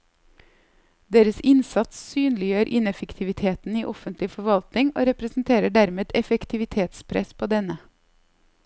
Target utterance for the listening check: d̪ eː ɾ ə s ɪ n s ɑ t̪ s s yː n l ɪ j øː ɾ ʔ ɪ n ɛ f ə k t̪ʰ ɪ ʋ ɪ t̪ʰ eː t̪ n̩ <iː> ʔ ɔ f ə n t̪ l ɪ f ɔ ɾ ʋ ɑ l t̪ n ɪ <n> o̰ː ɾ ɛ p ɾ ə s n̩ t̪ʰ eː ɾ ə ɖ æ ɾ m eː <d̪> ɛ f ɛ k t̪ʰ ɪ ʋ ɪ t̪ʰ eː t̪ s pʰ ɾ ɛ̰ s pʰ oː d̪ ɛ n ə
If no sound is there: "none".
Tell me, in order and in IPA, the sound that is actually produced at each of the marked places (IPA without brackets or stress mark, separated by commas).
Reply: iː, ŋ, d̪